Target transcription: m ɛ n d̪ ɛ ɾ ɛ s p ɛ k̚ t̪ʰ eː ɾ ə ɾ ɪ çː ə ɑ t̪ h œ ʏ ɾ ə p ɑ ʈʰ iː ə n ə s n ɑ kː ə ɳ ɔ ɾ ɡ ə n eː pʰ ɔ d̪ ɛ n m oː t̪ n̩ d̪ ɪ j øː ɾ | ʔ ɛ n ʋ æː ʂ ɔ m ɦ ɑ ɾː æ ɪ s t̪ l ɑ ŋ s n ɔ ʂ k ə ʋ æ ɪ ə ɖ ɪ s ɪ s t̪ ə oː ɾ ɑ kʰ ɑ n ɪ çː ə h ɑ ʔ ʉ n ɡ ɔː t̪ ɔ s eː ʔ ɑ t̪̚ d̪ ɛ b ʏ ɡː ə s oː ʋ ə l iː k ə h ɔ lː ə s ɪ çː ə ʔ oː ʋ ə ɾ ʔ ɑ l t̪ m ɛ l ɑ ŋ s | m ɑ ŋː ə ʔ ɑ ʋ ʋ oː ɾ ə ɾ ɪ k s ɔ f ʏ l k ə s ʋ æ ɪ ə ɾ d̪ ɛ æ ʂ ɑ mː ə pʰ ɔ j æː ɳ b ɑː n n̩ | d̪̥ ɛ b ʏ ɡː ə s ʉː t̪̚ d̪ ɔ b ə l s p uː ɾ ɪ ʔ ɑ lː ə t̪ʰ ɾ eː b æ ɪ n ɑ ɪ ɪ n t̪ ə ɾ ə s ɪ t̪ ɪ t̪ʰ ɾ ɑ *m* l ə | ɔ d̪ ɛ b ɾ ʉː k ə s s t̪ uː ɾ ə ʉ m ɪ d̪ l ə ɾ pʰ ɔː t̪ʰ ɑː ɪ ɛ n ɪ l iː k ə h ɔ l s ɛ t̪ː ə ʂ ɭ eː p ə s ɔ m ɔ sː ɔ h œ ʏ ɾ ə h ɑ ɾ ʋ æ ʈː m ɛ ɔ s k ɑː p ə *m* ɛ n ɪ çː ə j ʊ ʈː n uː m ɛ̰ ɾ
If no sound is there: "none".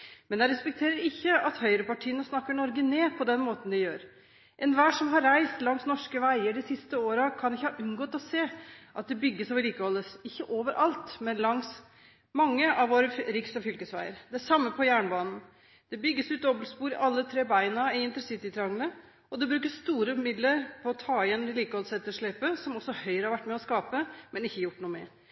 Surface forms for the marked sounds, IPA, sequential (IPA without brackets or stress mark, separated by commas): ŋ, m